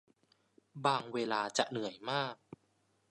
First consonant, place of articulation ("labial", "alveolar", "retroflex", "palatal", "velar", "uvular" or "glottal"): labial